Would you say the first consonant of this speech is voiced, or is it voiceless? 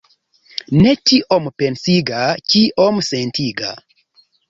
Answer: voiced